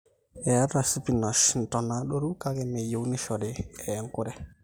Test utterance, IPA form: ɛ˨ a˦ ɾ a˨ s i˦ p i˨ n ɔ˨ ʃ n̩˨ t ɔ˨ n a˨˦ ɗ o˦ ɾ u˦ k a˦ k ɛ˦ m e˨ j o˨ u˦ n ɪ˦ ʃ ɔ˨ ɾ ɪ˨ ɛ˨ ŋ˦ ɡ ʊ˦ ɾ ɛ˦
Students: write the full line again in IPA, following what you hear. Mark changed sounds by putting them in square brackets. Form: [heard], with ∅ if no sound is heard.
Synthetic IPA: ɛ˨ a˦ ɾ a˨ s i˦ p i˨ n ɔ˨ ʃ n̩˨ t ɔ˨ n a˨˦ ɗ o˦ ɾ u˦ k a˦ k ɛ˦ m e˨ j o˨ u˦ n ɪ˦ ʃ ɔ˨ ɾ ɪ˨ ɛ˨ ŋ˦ [k] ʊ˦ ɾ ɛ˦